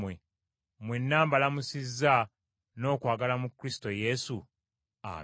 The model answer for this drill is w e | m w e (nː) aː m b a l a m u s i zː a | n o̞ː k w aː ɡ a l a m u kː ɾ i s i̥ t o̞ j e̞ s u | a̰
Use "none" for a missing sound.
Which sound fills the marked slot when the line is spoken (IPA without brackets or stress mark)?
nː